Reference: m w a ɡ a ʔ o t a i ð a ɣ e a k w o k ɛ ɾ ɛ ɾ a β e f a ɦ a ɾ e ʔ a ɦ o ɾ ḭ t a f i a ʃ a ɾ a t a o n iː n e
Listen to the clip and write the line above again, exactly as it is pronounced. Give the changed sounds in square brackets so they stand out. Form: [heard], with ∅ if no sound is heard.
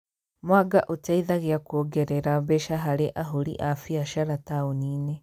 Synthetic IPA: m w a ɡ a ʔ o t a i ð a ɣ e a k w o [ɡ] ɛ ɾ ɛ ɾ a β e [ʃ] a ɦ a ɾ e ʔ a ɦ o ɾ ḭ [ʔ] a f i a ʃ a ɾ a t a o n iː n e